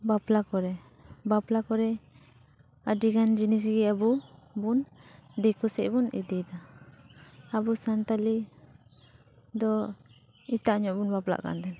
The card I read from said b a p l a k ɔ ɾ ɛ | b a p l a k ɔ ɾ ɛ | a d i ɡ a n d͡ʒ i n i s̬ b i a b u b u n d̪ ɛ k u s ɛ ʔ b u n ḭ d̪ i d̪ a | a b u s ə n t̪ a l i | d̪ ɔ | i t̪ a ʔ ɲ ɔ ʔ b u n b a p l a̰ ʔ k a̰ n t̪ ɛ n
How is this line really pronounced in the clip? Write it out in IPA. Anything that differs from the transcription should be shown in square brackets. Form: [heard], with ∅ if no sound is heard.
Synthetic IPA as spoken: b a p l a k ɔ ɾ ɛ | b a p l a k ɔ ɾ ɛ | a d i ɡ a n d͡ʒ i n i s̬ [ɡ] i a b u b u n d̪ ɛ k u s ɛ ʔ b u n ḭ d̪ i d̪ a | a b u s [a] n t̪ a l i | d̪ ɔ | i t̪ a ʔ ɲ ɔ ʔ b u n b a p l a̰ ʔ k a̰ n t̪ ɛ n